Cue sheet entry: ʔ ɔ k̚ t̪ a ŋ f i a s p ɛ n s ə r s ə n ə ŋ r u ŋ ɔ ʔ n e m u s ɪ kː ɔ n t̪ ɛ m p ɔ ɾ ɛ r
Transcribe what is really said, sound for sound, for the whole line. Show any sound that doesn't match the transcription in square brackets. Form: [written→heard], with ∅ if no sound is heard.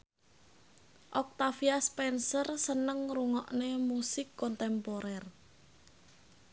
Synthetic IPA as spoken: ʔ ɔ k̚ t̪ a [ŋ→∅] f i a s p ɛ n s ə r s ə n ə ŋ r u ŋ ɔ ʔ n e m u s ɪ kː ɔ n t̪ ɛ m p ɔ ɾ ɛ r